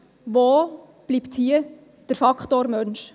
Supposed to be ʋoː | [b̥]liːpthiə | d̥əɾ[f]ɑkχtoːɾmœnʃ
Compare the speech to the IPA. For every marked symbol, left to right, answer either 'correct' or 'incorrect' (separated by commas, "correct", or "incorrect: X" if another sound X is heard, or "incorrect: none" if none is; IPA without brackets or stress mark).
correct, correct